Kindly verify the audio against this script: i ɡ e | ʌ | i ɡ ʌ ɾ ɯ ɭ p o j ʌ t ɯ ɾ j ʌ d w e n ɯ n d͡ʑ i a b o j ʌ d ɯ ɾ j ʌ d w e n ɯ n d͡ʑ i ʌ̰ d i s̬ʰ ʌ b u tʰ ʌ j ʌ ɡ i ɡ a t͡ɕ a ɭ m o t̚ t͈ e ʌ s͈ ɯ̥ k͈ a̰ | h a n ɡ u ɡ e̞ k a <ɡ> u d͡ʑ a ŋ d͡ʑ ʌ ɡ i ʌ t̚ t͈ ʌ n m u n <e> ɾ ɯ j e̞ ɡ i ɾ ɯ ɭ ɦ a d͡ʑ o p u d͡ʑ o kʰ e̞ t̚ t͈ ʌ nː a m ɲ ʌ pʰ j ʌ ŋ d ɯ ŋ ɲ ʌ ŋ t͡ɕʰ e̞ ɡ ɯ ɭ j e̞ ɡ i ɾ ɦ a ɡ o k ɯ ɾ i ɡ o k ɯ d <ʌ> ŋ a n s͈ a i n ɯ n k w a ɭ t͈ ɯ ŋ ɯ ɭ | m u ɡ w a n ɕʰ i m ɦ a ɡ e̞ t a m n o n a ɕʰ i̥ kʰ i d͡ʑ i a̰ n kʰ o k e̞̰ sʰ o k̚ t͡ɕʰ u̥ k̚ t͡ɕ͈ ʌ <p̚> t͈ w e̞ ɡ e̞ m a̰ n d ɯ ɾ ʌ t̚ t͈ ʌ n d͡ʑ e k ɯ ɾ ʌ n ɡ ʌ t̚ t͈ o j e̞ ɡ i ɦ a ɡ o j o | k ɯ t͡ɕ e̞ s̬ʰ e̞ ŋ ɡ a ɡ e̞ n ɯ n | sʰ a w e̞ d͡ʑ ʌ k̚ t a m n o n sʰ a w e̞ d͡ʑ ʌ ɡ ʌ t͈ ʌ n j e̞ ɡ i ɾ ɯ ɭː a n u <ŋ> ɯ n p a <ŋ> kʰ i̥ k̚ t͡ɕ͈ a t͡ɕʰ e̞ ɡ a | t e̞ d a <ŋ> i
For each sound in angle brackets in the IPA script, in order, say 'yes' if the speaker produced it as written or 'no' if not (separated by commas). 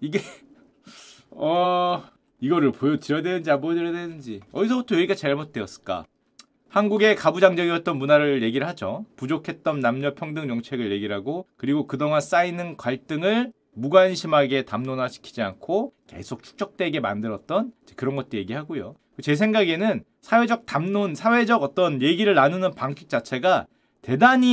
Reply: no, no, yes, no, no, yes, no